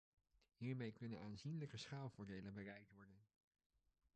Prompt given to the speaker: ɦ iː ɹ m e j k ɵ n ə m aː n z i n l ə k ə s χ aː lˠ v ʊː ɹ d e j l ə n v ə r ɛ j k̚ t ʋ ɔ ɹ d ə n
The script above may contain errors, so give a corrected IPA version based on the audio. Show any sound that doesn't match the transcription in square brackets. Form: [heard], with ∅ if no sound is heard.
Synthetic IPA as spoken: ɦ iː ɹ m e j k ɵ n ə [n] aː n z i n l ə k ə s χ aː lˠ v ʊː ɹ d e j l ə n [b] ə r ɛ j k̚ t ʋ ɔ ɹ d ə n